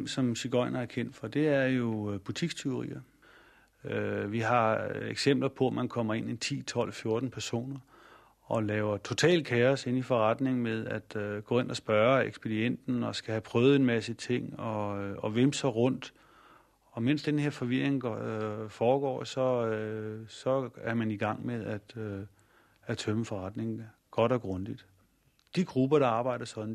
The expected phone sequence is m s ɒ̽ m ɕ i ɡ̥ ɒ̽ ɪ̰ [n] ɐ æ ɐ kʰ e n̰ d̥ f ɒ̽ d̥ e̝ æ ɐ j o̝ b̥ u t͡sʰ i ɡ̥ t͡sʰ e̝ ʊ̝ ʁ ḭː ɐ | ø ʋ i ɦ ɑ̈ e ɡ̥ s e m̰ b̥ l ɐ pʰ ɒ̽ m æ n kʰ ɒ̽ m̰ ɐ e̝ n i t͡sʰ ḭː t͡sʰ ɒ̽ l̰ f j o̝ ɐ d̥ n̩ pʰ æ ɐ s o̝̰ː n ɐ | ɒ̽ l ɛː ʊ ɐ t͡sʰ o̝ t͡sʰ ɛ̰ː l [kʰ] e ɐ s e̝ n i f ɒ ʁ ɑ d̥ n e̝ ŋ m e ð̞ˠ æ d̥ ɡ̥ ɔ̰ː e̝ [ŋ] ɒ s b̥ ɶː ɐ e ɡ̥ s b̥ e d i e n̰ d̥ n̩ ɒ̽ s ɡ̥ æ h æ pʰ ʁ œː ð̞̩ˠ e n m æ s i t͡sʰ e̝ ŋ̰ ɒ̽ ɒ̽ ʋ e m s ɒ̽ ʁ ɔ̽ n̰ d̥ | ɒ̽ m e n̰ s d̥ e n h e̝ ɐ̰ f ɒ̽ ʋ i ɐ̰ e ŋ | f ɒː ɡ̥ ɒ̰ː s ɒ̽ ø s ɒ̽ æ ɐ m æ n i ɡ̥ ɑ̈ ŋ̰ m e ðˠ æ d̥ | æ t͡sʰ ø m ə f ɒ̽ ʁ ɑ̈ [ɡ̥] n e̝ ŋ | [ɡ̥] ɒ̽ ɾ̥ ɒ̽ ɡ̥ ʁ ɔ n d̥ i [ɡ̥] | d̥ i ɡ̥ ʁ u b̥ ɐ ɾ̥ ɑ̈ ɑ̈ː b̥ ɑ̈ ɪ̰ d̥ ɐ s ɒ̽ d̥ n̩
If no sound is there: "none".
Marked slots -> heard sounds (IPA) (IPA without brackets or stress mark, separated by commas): n, kʰ, n, d̥, ɡ̥, d̥